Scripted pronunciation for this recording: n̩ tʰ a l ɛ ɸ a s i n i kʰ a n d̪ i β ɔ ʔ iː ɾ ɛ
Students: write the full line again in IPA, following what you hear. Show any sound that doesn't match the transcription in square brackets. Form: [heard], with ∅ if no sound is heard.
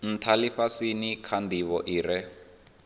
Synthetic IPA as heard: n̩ tʰ a l [i] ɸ a s i n i kʰ a n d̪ i β ɔ ʔ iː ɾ ɛ